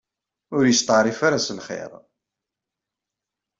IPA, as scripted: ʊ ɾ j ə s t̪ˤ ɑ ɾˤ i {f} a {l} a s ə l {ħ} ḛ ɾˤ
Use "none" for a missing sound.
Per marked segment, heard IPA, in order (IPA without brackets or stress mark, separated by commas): f, ɾ, χ